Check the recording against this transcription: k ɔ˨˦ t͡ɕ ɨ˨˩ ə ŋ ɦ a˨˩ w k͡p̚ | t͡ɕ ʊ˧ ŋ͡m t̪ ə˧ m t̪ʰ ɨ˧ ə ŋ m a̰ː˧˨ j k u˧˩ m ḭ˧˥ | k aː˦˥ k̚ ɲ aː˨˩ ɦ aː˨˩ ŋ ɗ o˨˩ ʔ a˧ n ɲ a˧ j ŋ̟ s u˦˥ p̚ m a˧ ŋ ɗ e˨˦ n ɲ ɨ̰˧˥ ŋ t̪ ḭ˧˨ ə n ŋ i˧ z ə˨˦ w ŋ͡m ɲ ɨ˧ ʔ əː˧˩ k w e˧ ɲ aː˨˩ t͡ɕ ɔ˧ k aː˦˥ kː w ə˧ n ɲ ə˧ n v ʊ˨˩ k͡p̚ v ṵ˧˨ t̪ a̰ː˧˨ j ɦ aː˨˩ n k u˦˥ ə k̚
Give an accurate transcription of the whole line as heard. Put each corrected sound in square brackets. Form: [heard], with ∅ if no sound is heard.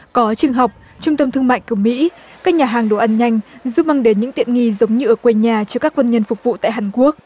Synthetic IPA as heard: k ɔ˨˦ t͡ɕ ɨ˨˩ ə ŋ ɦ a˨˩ w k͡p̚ | t͡ɕ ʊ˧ ŋ͡m t̪ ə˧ m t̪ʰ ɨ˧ ə ŋ m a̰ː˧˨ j k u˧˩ m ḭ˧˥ | k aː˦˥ k̚ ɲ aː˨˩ ɦ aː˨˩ ŋ ɗ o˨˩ ʔ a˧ n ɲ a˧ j ŋ̟ [z] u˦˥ p̚ m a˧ ŋ ɗ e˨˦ n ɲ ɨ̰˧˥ ŋ t̪ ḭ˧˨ ə n ŋ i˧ z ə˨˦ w ŋ͡m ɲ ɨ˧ ʔ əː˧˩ k w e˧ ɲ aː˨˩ t͡ɕ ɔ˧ k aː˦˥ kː w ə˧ n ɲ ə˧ n [f] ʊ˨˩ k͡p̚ v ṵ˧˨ t̪ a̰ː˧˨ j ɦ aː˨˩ n k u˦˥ ə k̚